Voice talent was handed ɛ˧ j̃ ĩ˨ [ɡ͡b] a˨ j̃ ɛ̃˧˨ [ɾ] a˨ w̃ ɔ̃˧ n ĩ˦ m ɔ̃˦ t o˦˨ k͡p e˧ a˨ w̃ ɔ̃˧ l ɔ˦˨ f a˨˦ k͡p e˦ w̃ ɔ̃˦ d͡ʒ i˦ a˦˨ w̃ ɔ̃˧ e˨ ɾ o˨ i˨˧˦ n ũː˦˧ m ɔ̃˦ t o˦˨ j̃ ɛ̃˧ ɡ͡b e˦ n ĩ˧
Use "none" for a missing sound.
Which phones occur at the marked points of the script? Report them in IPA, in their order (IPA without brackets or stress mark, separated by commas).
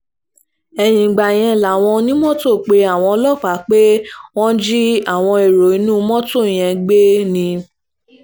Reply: ɡ͡b, l